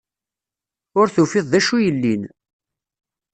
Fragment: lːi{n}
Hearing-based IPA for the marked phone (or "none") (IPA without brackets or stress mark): n